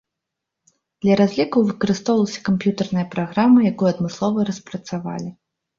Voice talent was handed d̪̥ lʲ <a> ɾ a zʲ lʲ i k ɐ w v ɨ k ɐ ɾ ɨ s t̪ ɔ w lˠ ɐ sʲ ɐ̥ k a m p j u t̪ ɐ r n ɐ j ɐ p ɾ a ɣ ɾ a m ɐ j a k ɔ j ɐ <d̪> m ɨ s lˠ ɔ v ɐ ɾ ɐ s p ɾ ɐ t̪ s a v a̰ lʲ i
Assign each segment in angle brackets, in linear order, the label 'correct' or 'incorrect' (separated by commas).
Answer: incorrect, correct